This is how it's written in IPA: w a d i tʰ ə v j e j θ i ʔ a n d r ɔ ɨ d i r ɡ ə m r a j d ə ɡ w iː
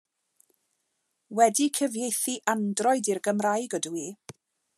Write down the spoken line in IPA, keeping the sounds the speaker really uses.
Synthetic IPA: w ɛ d i kʰ ə v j e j θ i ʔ a n d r ɔ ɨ d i r ɡ ə m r a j ɡ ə d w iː